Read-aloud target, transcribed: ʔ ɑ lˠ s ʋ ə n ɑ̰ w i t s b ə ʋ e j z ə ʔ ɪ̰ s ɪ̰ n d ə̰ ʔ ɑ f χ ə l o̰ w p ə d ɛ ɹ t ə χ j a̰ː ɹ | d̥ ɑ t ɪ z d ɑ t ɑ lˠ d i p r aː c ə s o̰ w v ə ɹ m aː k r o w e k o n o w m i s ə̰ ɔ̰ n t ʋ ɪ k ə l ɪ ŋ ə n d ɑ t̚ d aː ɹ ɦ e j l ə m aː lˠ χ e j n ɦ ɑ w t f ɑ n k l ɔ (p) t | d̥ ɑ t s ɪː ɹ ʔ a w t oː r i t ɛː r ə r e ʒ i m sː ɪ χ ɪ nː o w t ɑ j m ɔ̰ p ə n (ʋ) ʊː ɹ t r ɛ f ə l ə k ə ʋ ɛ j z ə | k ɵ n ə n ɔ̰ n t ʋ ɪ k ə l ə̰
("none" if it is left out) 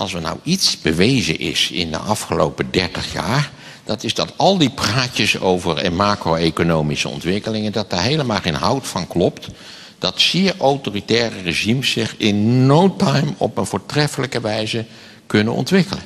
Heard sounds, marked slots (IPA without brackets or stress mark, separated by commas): p, v